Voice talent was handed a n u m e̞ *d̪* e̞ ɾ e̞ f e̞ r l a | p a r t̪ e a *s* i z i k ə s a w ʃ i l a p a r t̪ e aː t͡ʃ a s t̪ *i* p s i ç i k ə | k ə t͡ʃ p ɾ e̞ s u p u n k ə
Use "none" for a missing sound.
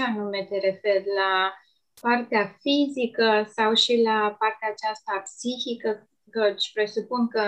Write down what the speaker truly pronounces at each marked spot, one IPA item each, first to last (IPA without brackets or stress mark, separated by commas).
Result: t̪, f, a